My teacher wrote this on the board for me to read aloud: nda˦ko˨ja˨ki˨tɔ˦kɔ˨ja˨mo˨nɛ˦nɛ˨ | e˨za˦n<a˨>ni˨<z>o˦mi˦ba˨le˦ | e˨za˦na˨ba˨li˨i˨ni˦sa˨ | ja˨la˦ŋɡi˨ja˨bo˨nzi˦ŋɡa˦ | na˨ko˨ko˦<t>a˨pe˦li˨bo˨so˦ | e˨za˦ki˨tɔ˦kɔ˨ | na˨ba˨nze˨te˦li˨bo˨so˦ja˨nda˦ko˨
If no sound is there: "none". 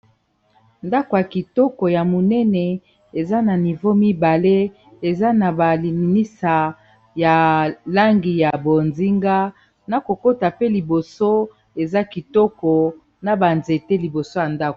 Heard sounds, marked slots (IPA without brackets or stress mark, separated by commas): a˨, v, t